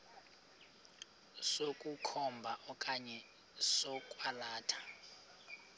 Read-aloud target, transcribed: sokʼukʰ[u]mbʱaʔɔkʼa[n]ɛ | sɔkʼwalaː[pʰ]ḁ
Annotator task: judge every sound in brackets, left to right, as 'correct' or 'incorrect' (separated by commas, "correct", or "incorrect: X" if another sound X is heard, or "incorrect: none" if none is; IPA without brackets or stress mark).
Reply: incorrect: ɔ, incorrect: ɲ, incorrect: tʰ